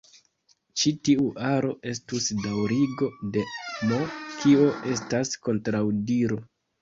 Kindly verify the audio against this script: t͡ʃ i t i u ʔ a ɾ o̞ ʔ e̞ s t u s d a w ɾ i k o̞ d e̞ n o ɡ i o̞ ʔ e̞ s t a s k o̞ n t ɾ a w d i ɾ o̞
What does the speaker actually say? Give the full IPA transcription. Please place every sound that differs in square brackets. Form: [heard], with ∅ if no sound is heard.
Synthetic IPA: t͡ʃ i t i u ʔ a ɾ o̞ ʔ e̞ s t u s d a w ɾ i [ɡ] o̞ d e̞ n o [k] i o̞ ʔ e̞ s t a s k o̞ n t ɾ a w d i ɾ o̞